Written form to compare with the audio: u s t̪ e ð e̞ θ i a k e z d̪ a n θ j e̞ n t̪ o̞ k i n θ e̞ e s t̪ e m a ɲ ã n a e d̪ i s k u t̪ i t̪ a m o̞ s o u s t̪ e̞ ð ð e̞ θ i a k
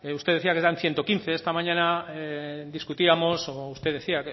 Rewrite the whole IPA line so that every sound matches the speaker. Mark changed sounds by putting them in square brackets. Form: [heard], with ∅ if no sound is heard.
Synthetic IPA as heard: u s t̪ e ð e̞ θ i a k e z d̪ a n θ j e̞ n t̪ o̞ k i n θ e̞ e s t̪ [a] m a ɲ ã n a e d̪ i s k u t̪ i [∅] a m o̞ s o u s t̪ e̞ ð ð e̞ θ i a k